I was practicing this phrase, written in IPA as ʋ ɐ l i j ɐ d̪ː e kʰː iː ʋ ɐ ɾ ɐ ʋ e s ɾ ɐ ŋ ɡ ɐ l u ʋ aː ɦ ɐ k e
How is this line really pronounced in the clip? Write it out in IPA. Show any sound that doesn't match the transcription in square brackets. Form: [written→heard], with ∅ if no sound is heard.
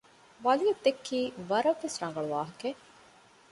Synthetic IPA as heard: ʋ ɐ l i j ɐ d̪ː e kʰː iː ʋ ɐ ɾ ɐ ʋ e s ɾ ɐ ŋ ɡ ɐ [l→ɭ] u ʋ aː ɦ ɐ k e